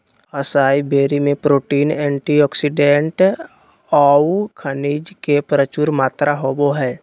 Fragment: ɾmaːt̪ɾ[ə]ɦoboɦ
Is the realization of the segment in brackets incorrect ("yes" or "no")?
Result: yes